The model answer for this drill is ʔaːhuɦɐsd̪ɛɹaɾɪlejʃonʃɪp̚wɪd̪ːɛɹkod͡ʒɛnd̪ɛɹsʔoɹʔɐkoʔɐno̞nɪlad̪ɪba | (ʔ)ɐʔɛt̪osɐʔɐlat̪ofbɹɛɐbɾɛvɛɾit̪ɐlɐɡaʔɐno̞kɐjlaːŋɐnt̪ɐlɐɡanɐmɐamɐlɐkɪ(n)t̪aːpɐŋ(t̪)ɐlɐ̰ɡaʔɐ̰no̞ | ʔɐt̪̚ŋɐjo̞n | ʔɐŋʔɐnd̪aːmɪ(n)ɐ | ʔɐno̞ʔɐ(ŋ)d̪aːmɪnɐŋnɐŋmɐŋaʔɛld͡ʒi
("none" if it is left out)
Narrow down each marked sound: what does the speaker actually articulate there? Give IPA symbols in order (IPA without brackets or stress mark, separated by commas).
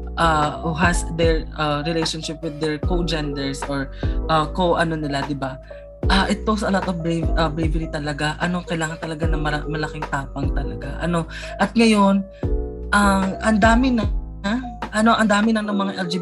ʔ, ŋ, t̪, n, n